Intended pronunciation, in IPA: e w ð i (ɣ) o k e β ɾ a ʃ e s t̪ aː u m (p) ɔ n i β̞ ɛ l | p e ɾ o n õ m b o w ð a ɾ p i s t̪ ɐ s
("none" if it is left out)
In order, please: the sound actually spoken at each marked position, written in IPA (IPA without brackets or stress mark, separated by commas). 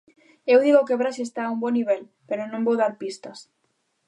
ɣ, b